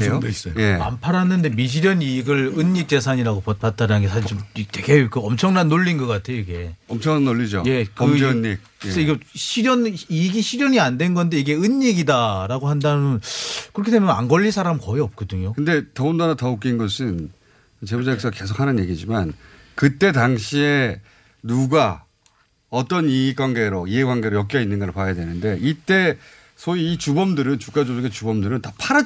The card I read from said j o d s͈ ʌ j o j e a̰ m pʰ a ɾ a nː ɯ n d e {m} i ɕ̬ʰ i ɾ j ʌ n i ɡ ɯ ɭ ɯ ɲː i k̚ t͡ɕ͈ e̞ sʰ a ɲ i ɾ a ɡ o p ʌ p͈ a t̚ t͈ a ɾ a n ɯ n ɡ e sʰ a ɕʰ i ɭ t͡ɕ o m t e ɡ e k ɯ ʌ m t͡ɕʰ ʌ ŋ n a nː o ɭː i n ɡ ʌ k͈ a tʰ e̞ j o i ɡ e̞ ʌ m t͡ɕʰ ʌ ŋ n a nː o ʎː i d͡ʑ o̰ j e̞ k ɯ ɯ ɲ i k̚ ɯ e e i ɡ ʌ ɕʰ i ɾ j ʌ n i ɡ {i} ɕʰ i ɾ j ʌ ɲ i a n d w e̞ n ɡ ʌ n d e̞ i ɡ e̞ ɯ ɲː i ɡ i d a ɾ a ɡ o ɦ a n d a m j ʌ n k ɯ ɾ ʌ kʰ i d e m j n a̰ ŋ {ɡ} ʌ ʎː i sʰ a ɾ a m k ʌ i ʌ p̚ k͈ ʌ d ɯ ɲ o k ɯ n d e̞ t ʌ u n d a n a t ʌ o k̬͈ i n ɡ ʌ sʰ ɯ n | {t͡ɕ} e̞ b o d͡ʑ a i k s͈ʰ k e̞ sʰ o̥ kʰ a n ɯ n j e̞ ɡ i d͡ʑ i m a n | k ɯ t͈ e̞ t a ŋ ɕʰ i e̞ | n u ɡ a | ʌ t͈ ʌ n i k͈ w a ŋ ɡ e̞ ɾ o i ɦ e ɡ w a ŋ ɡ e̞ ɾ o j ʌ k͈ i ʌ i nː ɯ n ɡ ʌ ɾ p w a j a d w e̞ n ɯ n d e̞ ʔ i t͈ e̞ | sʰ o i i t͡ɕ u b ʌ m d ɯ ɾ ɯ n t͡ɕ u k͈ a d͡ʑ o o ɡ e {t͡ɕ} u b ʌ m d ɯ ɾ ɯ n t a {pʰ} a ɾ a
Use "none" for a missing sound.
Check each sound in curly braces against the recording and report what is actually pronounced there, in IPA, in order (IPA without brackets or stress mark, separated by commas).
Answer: m, i, ɡ, t͡ɕ, t͡ɕ, pʰ